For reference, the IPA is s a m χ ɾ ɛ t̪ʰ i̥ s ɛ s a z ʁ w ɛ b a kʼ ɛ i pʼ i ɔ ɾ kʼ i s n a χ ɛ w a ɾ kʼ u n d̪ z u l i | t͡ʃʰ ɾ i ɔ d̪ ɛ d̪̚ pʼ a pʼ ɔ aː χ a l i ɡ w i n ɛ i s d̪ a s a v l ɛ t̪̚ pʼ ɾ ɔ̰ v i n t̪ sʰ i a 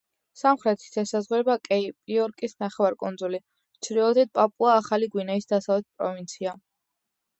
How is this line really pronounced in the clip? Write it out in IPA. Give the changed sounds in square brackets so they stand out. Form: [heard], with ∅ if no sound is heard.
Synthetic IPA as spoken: s a m χ ɾ ɛ t̪ʰ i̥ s ɛ s a z ʁ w ɛ b a kʼ ɛ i pʼ i ɔ ɾ kʼ i s n a χ ɛ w a ɾ kʼ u n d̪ z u l i | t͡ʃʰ ɾ i ɔ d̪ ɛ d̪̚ pʼ a pʼ [u] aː χ a l i ɡ w i n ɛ i s d̪ a s a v l ɛ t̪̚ pʼ ɾ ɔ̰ v i n t̪ sʰ i a